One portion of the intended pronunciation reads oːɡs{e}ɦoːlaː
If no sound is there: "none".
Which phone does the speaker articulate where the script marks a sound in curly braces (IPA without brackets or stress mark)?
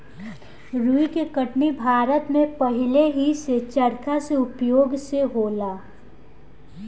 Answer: e